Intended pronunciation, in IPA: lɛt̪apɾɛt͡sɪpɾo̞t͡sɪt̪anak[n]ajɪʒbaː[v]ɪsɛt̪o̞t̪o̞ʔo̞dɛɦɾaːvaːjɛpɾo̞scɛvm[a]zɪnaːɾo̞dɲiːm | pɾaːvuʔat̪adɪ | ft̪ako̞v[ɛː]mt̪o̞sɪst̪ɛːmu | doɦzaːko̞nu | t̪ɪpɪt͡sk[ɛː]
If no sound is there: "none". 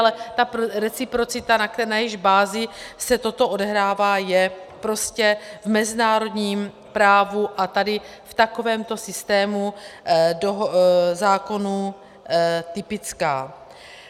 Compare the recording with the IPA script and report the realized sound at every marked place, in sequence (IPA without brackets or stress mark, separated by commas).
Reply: n, z, ɛ, ɛː, aː